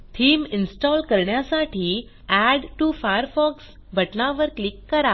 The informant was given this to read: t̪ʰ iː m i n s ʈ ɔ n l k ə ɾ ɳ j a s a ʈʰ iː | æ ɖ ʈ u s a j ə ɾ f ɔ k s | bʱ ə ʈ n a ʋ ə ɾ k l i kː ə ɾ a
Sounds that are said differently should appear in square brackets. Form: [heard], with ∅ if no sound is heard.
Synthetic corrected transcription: t̪ʰ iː m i n s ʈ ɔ [∅] l k ə ɾ ɳ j a s a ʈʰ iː | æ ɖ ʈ u [f] a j ə ɾ f ɔ k s | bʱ ə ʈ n a ʋ ə ɾ k l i kː ə ɾ a